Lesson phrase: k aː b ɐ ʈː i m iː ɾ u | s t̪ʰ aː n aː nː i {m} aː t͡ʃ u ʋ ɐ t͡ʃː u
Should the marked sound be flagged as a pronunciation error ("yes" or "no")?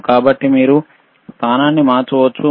no